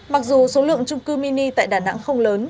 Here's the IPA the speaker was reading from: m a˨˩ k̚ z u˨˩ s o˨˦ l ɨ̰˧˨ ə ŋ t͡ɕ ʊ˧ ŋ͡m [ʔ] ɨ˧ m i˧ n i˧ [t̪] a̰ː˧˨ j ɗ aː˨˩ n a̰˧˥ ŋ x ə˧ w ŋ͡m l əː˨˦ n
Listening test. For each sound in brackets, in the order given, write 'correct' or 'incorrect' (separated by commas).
incorrect, correct